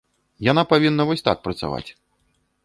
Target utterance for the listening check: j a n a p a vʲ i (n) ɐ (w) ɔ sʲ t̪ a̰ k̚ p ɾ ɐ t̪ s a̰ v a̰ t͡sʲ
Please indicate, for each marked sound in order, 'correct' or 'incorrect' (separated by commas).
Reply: incorrect, incorrect